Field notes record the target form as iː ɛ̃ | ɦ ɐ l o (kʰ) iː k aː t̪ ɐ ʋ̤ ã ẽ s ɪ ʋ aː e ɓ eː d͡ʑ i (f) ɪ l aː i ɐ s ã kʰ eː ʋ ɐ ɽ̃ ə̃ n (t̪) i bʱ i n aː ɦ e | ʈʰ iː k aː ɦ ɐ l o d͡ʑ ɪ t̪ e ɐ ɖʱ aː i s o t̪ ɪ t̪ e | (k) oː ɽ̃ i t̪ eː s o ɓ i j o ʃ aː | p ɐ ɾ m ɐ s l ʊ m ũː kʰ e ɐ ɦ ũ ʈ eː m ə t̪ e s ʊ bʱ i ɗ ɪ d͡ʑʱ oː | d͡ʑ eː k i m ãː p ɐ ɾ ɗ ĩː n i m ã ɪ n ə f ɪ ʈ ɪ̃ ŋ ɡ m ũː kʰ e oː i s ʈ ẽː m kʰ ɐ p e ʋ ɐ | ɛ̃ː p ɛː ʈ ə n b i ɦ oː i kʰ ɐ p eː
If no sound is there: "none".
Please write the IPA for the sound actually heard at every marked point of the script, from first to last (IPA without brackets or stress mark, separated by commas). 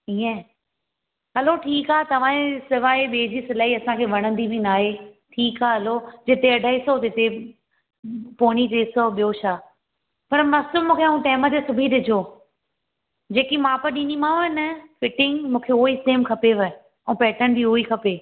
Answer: ʈʰ, s, d̪, p